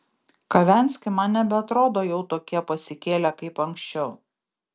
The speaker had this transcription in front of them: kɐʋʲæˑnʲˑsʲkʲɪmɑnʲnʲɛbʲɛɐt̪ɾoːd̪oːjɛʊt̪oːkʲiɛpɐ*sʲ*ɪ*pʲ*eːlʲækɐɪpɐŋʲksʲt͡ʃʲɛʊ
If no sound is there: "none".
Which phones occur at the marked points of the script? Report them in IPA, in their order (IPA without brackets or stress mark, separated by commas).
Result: sʲ, kʲ